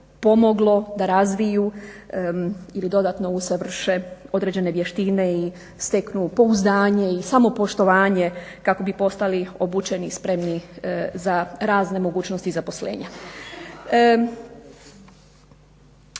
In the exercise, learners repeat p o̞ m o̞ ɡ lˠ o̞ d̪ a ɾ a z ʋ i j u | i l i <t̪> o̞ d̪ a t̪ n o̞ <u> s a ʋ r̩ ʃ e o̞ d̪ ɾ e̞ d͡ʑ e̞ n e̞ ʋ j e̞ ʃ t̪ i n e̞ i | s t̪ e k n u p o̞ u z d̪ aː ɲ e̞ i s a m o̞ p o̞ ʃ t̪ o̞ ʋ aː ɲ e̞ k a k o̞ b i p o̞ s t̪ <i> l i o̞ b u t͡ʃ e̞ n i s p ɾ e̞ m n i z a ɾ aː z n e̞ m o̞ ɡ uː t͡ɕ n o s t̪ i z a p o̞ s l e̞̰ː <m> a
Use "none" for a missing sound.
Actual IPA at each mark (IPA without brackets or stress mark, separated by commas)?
d̪, u, a, ɲ